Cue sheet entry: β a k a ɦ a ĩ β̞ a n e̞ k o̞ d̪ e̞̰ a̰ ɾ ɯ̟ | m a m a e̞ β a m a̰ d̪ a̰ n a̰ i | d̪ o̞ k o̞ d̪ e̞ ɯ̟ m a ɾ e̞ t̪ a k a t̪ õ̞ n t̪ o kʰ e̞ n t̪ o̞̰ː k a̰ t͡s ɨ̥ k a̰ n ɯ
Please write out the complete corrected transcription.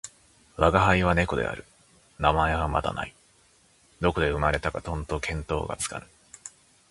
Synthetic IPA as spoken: β a ɡ a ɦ a i β̞ a n e̞ k o̞ d̪ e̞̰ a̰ ɾ ɯ̟ | n a m a e̞ β a m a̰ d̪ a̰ n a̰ i | d̪ o̞ k o̞ d̪ e̞ ɯ̟ m a ɾ e̞ t̪ a k a t̪ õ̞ n t̪ o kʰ ẽ̞ n t̪ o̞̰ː ɡ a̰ t͡s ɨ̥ k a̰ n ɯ